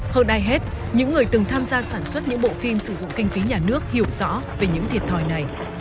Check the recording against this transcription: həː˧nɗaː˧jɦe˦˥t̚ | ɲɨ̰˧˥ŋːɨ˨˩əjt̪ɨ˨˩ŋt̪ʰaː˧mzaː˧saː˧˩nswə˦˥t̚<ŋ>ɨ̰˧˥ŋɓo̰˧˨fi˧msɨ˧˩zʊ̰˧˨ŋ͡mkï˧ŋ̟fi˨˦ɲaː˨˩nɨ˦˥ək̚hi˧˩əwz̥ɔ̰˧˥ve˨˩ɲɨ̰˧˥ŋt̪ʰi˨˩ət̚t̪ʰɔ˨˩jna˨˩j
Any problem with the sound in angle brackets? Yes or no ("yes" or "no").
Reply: yes